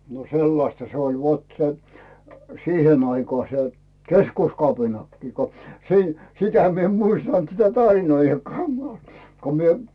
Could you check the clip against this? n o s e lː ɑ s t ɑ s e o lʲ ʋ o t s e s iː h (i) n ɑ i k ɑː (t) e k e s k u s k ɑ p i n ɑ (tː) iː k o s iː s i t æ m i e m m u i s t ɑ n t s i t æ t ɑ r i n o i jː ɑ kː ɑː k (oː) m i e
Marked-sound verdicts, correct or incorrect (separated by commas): incorrect, incorrect, incorrect, incorrect